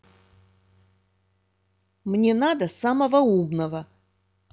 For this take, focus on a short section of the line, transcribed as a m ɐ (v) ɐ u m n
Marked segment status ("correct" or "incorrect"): correct